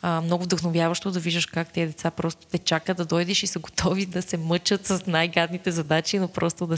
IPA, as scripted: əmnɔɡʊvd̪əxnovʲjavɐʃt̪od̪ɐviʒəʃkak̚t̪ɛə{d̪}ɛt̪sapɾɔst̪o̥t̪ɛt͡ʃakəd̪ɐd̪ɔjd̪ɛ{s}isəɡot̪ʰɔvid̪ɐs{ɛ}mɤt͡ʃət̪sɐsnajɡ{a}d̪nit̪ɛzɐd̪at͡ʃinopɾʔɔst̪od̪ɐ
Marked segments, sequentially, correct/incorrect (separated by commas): correct, incorrect, correct, correct